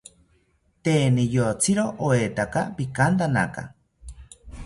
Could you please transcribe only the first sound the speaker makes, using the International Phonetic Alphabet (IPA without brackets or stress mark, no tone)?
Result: t̪